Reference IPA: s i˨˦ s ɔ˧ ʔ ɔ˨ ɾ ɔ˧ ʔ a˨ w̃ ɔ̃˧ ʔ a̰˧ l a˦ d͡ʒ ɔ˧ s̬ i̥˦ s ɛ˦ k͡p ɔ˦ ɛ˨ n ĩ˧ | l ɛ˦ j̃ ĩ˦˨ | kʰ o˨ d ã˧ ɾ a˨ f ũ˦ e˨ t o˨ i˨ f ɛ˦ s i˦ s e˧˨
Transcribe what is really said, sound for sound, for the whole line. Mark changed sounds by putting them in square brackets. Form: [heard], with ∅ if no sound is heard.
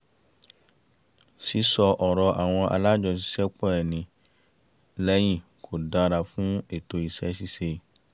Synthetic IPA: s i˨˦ s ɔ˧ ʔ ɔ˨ ɾ ɔ˧ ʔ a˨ w̃ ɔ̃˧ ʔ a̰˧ l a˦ d͡ʒ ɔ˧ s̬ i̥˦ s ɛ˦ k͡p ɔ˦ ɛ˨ n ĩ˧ | l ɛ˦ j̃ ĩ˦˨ | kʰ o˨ d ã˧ ɾ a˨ f ũ˦ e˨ t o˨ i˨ [s] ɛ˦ s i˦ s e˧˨